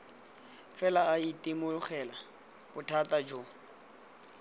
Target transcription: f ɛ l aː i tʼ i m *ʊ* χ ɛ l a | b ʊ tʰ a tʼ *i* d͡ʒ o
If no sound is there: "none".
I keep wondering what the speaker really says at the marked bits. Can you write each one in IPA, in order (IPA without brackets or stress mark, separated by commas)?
ʊ, a